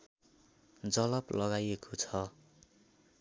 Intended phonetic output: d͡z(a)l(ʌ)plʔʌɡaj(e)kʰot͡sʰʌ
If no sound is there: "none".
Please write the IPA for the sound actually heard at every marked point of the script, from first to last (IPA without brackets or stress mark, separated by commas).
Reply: ʌ, ʌ, e